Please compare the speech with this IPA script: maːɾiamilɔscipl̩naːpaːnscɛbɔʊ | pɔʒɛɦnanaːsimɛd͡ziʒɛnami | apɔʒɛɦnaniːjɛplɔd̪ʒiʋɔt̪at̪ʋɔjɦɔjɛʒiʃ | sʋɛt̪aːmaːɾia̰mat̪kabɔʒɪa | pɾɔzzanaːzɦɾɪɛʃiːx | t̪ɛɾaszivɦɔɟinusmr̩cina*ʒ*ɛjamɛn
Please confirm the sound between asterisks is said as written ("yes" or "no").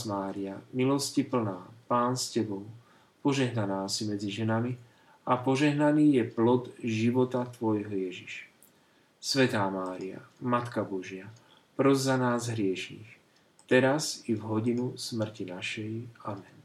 no